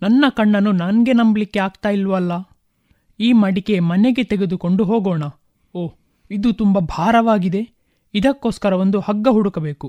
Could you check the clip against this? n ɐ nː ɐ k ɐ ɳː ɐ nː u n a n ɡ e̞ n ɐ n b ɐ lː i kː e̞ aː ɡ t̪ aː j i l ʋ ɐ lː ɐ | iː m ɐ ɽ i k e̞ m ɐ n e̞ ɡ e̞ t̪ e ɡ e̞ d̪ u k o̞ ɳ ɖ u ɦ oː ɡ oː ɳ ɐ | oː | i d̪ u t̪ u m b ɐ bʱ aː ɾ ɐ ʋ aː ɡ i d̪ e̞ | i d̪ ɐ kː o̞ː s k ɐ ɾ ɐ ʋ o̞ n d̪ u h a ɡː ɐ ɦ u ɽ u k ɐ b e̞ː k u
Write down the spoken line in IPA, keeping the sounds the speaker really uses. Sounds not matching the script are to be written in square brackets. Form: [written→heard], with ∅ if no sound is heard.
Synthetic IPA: n ɐ nː ɐ k ɐ ɳː ɐ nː u n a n ɡ e̞ n ɐ [n→m] b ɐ [lː→l] i kː e̞ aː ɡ t̪ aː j i l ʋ ɐ lː ɐ | iː m ɐ ɽ i k e̞ m ɐ n e̞ ɡ e̞ t̪ e ɡ e̞ d̪ u k o̞ ɳ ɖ u ɦ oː ɡ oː ɳ ɐ | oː | i d̪ u t̪ u m b ɐ bʱ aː ɾ ɐ ʋ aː ɡ i d̪ e̞ | i d̪ ɐ kː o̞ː s k ɐ ɾ ɐ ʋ o̞ n d̪ u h [a→ɐ] ɡː ɐ ɦ u ɽ u k ɐ b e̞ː k u